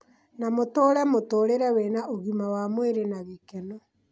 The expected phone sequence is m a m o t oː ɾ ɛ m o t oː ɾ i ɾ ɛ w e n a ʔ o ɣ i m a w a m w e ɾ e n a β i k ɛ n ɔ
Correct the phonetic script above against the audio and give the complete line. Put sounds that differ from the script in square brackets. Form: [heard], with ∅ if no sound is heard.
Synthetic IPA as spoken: [n] a m o t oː ɾ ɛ m o t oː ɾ [e] ɾ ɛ w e n a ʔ o ɣ i m a w a m w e ɾ e n a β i k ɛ n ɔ